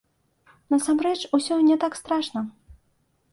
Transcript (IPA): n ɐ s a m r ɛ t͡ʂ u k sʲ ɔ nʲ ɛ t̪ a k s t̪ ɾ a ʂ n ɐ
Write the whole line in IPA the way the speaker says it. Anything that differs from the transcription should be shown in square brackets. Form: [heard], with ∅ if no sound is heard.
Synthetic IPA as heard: n ɐ s a m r ɛ t͡ʂ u [∅] sʲ ɔ nʲ ɛ t̪ a k s t̪ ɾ a ʂ n ɐ